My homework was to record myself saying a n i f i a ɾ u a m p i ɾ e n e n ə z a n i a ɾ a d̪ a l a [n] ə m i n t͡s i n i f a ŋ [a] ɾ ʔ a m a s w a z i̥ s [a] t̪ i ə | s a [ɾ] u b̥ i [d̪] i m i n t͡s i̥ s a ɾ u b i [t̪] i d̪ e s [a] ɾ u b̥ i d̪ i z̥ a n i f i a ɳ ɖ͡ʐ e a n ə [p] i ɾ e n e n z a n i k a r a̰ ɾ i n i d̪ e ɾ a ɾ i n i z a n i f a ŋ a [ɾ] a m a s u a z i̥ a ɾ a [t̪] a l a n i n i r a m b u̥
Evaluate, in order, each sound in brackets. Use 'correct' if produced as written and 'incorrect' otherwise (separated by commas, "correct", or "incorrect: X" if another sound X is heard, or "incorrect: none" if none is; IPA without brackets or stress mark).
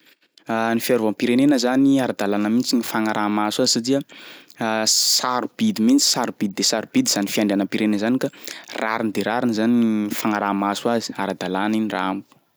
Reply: correct, correct, correct, correct, correct, incorrect: d̪, correct, correct, correct, incorrect: d̪